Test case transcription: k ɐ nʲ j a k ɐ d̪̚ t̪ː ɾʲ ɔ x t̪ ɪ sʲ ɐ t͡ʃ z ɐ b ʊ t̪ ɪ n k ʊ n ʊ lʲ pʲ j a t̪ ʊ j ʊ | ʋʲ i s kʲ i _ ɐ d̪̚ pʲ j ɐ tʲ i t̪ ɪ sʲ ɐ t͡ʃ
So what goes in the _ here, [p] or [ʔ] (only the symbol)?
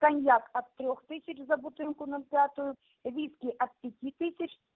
ʔ